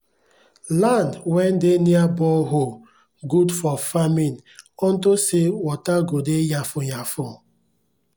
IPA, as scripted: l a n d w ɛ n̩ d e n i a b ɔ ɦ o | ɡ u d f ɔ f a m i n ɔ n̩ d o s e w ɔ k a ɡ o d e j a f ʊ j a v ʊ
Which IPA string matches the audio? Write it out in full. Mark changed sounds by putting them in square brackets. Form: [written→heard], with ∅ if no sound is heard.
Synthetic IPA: l a n d w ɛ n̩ d e n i a b ɔ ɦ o | ɡ u d f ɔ f a m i n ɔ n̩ [d→t] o s e w ɔ [k→t] a ɡ o d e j a f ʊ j a [v→f] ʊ